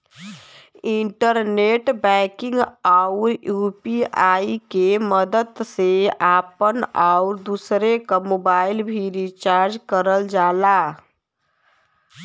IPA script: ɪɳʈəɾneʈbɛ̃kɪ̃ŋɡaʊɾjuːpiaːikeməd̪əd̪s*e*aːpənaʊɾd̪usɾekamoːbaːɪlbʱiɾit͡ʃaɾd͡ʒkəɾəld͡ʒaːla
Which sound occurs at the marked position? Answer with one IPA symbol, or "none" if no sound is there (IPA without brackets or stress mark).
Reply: e